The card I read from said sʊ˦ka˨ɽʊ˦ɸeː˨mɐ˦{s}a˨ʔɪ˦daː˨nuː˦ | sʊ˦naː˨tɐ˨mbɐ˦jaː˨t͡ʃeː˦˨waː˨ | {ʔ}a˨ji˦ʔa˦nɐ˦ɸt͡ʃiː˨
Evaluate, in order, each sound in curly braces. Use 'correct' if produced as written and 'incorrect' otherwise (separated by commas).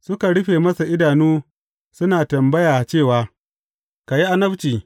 correct, incorrect